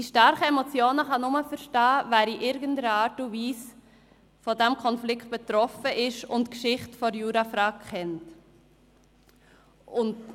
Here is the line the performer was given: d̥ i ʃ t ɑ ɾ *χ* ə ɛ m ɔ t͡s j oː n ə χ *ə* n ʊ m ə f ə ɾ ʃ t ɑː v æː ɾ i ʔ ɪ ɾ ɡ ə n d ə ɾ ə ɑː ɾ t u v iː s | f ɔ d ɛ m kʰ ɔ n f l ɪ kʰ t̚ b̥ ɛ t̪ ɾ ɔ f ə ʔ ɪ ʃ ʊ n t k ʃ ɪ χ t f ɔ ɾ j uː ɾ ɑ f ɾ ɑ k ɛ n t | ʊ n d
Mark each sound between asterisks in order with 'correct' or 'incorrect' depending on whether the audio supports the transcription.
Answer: correct, incorrect: ɑ

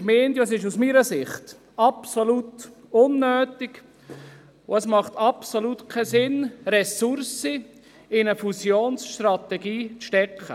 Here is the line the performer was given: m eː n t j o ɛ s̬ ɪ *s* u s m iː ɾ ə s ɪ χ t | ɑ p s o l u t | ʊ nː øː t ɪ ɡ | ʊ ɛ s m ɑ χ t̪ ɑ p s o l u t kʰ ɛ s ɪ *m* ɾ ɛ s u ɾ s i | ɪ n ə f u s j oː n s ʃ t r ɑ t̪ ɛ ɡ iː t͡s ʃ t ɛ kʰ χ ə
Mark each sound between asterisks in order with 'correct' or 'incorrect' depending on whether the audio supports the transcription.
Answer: incorrect: ʃ, incorrect: n

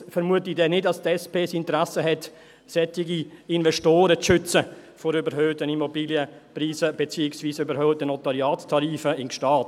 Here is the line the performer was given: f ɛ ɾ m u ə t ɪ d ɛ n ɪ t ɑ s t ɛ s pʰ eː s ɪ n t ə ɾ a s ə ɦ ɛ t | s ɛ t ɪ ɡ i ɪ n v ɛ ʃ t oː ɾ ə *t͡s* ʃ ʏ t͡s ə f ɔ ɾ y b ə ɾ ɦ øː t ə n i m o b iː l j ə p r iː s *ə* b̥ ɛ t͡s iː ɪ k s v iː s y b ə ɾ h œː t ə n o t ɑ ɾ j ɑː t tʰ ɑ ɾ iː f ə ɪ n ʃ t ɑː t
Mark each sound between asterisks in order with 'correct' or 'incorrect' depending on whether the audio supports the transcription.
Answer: correct, correct

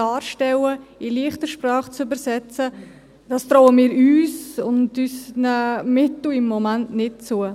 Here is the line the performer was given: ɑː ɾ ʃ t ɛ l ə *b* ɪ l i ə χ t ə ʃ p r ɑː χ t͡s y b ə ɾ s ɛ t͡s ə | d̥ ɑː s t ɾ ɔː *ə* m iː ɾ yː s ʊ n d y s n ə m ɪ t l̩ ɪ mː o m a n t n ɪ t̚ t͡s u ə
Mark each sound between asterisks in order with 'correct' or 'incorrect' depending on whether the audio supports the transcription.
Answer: incorrect: none, correct

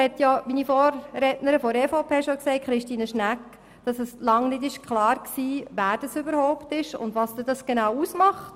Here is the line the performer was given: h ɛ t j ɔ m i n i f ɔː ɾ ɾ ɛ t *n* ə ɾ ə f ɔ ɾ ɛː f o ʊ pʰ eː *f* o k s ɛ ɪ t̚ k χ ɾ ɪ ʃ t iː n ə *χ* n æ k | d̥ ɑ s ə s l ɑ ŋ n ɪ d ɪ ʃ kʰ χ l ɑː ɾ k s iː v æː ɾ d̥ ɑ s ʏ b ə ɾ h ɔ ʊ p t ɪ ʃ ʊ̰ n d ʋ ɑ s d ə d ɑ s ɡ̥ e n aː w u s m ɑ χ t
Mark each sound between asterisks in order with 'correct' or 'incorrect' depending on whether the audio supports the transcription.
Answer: correct, incorrect: ʃ, incorrect: ʃ

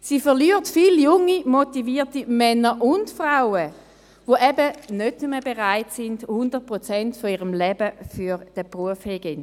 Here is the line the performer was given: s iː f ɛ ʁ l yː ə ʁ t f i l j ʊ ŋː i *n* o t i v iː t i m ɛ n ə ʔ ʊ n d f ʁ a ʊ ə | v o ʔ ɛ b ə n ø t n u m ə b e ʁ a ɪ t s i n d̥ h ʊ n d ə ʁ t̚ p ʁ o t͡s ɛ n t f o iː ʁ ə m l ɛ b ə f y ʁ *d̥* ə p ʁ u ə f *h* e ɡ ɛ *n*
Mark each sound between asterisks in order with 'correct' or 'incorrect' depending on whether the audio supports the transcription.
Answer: incorrect: m, correct, correct, correct

